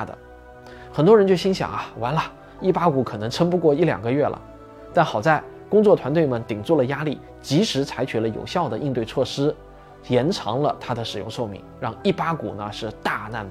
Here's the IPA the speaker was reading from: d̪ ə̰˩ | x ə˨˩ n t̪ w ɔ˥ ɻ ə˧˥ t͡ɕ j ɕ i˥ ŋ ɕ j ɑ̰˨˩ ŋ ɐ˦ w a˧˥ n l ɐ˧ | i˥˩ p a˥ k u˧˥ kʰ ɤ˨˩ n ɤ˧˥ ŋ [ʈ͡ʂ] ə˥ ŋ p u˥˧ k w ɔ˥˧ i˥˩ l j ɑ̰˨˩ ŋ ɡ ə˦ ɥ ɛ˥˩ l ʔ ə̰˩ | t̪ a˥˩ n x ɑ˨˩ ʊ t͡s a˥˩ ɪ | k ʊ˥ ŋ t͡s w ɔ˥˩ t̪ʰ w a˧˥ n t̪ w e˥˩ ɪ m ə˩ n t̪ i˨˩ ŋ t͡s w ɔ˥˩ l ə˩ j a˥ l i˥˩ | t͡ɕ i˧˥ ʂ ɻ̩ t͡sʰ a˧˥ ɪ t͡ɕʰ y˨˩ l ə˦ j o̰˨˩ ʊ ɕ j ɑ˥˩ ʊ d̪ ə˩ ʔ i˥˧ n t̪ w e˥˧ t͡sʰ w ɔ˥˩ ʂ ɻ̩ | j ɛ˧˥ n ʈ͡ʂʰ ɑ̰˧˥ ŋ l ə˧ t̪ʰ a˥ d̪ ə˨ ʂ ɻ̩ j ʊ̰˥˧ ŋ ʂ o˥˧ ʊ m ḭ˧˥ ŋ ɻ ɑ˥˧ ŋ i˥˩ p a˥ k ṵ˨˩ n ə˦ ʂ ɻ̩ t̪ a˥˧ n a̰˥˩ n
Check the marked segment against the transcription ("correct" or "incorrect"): incorrect